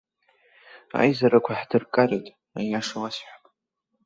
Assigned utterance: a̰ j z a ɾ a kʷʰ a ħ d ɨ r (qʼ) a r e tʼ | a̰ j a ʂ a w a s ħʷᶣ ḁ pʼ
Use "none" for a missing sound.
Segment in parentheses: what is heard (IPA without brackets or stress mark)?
kʼ